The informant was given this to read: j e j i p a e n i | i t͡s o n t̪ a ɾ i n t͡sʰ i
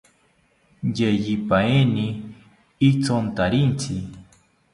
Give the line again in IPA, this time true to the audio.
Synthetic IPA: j e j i p a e n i | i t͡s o n t̪ a ɾ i n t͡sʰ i